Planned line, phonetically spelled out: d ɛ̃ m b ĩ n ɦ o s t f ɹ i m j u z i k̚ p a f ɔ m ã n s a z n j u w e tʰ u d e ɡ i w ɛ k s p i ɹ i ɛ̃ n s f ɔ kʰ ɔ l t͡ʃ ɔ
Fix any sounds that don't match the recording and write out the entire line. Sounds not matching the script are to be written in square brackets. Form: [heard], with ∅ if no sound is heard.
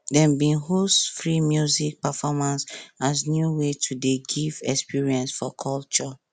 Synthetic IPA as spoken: d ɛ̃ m b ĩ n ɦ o s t f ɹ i m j u z i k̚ p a f ɔ m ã n s a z n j u w e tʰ u d e ɡ i [v] ɛ k s p i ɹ i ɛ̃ n s f ɔ kʰ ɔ l t͡ʃ ɔ

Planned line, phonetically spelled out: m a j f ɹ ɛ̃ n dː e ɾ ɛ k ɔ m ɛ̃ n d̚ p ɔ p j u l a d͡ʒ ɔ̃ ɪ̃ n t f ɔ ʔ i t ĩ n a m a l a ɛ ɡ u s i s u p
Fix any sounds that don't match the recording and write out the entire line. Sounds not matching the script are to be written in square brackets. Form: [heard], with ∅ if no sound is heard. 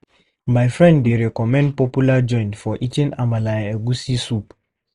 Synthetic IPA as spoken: m a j f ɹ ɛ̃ n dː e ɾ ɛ k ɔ m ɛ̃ n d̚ p ɔ p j u l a d͡ʒ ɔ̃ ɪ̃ n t f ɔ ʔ i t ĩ n a m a l a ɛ ɡ u s i s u p

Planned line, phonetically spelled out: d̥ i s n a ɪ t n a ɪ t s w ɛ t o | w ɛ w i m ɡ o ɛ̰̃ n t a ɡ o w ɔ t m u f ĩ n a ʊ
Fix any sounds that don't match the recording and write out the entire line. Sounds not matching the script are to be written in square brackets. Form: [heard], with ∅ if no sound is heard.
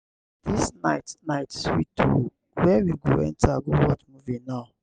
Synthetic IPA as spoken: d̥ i s n a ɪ t n a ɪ t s w [i] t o | w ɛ w i [∅] ɡ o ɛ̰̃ n t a ɡ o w ɔ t m u [v] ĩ n a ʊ

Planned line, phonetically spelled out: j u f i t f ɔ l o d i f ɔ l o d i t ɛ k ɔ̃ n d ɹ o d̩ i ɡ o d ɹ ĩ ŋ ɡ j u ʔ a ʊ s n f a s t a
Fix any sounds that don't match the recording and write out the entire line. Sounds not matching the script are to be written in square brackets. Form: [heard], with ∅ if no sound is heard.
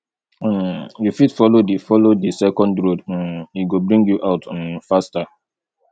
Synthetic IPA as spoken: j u f i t f ɔ l o d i f ɔ l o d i [s] ɛ k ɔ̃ n d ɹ o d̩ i ɡ o [b] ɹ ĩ ŋ ɡ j u ʔ a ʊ [t] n f a s t a

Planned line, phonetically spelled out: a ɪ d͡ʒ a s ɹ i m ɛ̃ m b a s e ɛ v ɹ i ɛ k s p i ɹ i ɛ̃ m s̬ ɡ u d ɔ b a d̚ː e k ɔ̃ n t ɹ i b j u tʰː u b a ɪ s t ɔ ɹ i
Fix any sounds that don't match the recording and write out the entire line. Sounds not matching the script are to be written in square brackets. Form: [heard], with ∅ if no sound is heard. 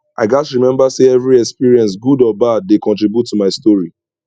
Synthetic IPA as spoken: a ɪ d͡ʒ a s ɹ i m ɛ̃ m b a s e ɛ v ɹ i ɛ k s p i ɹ i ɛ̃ [n] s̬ ɡ u d ɔ b a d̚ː e k ɔ̃ n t ɹ i b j u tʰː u [m] a ɪ s t ɔ ɹ i

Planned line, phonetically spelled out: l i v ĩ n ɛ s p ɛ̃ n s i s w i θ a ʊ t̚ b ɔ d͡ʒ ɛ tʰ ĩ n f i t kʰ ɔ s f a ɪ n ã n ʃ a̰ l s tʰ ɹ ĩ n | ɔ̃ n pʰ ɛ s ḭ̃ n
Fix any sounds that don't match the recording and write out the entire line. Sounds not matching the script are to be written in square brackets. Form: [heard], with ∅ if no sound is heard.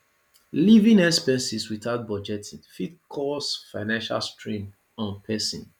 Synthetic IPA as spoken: l i v ĩ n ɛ s p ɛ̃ n s i s w i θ a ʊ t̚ b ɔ d͡ʒ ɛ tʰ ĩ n f i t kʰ ɔ s f a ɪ n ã n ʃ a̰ l s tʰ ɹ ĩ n | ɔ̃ n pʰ ɛ s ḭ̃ n

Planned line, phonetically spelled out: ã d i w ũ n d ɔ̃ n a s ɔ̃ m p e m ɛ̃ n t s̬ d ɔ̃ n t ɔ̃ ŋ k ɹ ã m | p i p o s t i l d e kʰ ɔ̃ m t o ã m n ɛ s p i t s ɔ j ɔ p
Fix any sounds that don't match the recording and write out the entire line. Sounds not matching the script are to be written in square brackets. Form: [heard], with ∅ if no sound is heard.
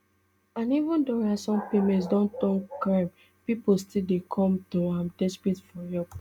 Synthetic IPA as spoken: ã [n] i [v] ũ n d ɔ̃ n a s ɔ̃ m p e m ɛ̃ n t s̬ d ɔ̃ n t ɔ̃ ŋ k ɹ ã m | p i p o s t i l d e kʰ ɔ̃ m t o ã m [d] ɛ s p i t [f] ɔ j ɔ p

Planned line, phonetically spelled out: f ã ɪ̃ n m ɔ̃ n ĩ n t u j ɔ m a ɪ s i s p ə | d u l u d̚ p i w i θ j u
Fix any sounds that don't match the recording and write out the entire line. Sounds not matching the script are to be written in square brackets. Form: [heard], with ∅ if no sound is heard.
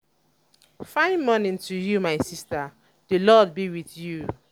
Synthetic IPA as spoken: f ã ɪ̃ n m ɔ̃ n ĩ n t u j [u] m a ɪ s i s [t] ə | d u l [ɔ] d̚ [b] i w i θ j u

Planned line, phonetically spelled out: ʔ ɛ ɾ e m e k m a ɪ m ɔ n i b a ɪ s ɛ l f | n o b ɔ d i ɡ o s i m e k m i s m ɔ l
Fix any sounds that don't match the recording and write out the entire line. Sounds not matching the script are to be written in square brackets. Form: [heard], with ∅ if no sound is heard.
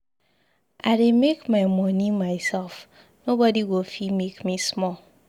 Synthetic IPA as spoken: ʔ [a] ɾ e m e k m a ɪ m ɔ n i [m] a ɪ s ɛ l f | n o b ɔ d i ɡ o [f] i m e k m i s m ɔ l

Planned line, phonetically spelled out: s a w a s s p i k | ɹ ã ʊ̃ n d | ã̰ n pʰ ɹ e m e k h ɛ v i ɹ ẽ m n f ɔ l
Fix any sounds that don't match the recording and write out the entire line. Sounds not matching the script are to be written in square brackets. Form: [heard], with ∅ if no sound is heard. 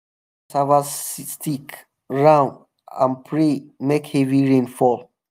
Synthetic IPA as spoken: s a [v] a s s [t] i k | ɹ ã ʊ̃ n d | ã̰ n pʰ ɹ e m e k h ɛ v i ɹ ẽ [∅] n f ɔ l

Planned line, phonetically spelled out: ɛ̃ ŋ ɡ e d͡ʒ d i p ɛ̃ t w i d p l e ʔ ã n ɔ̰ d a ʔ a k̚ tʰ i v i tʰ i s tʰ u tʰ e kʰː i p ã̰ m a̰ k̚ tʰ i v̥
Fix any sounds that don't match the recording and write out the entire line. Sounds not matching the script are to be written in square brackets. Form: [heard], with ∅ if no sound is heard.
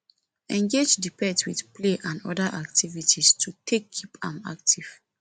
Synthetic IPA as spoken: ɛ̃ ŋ ɡ e d͡ʒ d i p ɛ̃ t w i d p l e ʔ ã n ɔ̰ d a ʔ a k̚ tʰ i v i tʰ i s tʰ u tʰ e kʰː i p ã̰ m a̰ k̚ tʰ i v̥

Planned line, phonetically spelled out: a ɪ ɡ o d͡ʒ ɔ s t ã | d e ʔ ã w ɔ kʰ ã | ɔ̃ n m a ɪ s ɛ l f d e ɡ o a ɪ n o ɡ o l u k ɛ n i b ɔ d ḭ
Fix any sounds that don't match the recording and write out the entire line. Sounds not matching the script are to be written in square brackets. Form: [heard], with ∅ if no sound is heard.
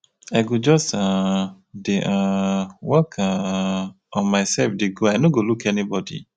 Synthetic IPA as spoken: a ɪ ɡ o d͡ʒ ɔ s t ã | d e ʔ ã w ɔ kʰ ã | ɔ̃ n m a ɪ s ɛ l f d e ɡ o a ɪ n o ɡ o l u k ɛ n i b ɔ d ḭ

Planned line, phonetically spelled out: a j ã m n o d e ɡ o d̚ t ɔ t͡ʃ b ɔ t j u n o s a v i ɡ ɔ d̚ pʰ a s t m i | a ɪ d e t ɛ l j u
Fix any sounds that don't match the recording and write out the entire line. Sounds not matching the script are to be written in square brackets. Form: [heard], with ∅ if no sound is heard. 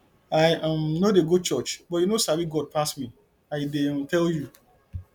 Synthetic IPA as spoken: a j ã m n o d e ɡ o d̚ [t͡ʃ] ɔ t͡ʃ b ɔ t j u n o s a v i ɡ ɔ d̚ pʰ a s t m i | a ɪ d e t ɛ l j u

